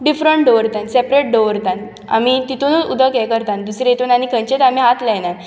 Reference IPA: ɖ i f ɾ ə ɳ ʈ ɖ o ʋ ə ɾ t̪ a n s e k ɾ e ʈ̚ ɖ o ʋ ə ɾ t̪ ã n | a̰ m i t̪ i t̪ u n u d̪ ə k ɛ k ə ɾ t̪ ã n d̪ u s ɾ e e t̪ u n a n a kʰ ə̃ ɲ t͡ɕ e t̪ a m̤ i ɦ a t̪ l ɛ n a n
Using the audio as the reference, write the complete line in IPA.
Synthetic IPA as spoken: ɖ i f ɾ ə ɳ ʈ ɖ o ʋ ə ɾ t̪ a n s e p ɾ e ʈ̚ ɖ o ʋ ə ɾ t̪ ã n | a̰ m i t̪ i t̪ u n u d̪ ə k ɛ k ə ɾ t̪ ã n d̪ u s ɾ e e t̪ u n a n i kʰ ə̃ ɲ t͡ɕ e t̪ a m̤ i ɦ a t̪ l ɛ n a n